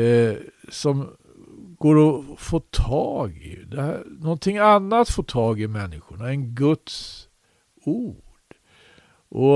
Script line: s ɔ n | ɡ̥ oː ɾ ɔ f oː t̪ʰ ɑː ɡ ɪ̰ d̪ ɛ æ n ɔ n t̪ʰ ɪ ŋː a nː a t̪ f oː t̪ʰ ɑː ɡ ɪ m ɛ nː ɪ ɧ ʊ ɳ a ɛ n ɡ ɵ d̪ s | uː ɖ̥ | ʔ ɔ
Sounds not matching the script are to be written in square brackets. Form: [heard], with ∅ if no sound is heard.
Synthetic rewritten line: s ɔ [m] | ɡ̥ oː ɾ ɔ f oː t̪ʰ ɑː ɡ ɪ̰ d̪ ɛ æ n ɔ n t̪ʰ ɪ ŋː a nː a t̪ f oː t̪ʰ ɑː ɡ ɪ m ɛ nː ɪ ɧ ʊ ɳ a ɛ n ɡ ɵ [t̪] s | uː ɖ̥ | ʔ ɔ